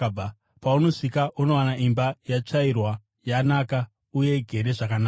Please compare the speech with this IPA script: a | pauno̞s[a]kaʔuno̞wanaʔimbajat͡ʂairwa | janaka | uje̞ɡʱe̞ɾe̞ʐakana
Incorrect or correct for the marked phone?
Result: incorrect: i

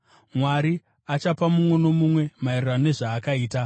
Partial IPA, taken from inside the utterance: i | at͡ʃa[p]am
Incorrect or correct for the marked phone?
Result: correct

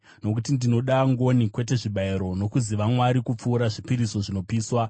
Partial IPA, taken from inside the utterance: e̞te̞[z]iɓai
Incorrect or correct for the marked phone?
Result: incorrect: ʐ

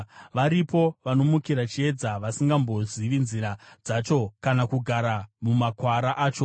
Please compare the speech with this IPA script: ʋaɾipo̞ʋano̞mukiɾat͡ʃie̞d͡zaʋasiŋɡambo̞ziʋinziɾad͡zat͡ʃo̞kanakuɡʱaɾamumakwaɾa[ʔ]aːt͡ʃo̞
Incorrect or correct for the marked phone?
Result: correct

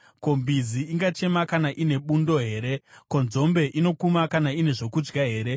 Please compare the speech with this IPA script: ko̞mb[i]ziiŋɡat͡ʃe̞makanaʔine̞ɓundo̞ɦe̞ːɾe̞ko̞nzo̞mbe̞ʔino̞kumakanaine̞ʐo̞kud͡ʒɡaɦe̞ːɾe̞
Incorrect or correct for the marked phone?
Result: correct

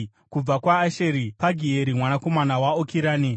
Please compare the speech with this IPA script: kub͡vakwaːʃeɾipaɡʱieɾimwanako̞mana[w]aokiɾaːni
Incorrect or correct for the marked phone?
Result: correct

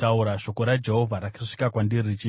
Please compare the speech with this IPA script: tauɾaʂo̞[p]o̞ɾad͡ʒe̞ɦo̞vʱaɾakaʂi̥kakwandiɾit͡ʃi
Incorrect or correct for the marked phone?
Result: incorrect: k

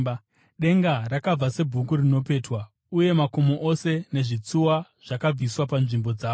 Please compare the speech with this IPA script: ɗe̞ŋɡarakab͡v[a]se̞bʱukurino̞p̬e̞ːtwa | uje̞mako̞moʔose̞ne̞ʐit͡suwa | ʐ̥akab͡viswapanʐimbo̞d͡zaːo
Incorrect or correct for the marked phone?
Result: correct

